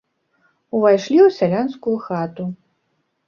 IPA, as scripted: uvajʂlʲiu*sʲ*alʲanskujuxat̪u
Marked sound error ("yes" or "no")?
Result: no